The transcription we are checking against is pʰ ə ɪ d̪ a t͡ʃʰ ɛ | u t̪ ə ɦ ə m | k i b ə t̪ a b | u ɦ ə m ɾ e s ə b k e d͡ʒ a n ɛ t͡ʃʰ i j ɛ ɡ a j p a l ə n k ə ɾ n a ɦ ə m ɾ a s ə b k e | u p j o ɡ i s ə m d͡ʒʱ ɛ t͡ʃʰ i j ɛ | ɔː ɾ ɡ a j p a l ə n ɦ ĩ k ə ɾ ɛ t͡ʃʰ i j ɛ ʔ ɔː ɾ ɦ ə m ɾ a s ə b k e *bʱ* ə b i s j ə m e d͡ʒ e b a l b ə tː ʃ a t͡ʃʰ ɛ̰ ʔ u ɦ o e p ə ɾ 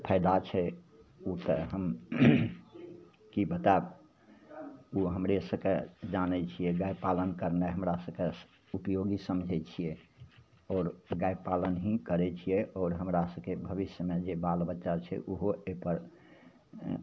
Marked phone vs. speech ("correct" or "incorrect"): correct